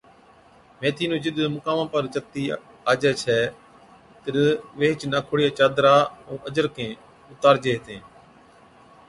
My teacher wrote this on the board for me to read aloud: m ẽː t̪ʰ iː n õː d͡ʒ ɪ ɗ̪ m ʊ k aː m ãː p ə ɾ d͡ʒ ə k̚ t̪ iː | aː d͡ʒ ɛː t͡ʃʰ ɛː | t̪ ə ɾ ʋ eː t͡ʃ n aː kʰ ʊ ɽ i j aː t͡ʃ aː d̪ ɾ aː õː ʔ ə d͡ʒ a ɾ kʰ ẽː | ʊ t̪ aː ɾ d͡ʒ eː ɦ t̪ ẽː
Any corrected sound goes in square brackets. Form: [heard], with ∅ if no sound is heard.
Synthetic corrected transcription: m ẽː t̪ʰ iː n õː d͡ʒ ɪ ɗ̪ m ʊ k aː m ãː p ə ɾ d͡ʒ ə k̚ t̪ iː | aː d͡ʒ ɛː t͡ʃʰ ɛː | t̪ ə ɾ ʋ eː t͡ʃ n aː kʰ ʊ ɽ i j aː t͡ʃ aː d̪ ɾ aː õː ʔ ə d͡ʒ [ə] ɾ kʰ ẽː | ʊ t̪ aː ɾ d͡ʒ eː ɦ t̪ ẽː